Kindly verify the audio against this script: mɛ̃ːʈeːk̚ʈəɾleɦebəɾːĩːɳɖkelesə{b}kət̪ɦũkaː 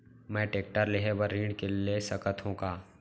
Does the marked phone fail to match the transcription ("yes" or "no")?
yes